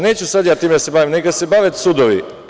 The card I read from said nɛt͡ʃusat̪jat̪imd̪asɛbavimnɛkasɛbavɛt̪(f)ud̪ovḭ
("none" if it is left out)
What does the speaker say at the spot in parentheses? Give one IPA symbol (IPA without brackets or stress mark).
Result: s